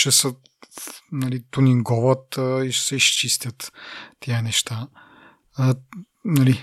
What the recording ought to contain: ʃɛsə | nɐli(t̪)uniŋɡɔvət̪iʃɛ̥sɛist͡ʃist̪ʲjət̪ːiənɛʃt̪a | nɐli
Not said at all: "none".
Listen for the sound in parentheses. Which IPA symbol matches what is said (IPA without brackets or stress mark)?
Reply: t̪